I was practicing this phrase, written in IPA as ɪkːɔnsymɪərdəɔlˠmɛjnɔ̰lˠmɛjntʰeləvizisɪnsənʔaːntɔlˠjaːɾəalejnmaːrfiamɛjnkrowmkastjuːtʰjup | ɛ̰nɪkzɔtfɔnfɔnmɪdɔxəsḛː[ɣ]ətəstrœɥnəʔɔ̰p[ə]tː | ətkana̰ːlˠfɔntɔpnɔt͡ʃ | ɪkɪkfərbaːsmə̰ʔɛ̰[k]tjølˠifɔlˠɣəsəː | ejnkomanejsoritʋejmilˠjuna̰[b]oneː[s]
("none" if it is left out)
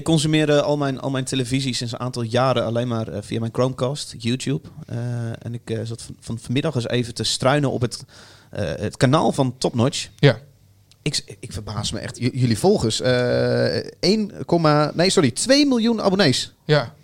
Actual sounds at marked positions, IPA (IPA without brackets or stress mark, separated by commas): v, ə, x, b, s